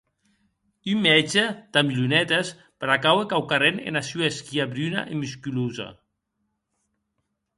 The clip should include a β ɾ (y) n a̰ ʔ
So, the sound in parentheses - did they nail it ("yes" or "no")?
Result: yes